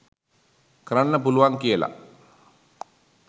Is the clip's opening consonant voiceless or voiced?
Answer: voiceless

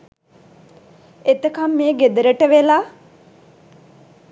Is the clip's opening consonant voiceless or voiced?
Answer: voiceless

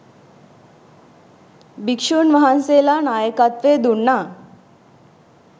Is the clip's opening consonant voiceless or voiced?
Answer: voiced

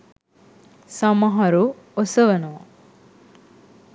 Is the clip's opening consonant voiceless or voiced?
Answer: voiceless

